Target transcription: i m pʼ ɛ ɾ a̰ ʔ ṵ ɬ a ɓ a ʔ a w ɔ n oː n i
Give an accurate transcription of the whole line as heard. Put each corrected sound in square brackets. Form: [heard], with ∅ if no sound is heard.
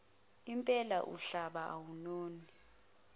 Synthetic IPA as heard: i m pʼ ɛ [l] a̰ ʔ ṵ ɬ a ɓ a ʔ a w [u] n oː n i

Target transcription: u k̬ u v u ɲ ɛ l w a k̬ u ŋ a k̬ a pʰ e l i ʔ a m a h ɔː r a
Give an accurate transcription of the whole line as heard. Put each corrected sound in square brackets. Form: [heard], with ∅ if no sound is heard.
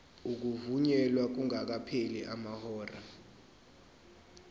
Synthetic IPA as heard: u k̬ u v u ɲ ɛ l w a k̬ u ŋ a k̬ a pʰ e l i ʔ a m a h ɔː r a

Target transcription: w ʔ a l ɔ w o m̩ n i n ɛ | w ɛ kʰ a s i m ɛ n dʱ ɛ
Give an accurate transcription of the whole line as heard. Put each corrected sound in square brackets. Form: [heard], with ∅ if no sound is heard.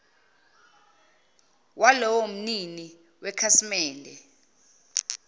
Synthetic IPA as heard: w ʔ a l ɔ w o m̩ n i n [i] | w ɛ kʰ a s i m [ɛː] n dʱ ɛ

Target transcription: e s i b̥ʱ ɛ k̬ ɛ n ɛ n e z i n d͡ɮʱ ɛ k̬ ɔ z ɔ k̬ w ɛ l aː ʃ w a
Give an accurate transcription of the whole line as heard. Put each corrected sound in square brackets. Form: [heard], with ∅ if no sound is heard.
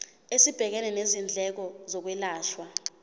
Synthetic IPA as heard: e s i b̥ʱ ɛ k̬ ɛ n ɛ n e z i n d͡ɮʱ ɛ k̬ ɔ z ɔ k̬ w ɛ l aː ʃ w a

